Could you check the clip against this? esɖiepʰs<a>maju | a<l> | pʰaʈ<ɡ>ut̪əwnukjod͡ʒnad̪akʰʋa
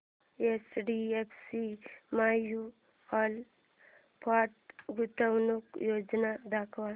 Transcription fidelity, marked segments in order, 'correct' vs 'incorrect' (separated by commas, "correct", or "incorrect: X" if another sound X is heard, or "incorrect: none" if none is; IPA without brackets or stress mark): incorrect: i, correct, correct